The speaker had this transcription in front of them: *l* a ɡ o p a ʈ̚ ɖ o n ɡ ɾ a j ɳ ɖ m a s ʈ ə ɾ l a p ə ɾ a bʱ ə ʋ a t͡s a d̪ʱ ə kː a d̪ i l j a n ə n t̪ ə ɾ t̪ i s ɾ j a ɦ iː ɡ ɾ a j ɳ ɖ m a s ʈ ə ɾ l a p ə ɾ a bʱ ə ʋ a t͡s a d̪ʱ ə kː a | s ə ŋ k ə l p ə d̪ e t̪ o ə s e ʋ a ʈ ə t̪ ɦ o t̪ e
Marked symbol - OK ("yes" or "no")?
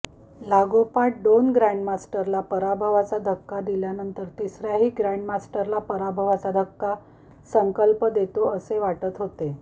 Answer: yes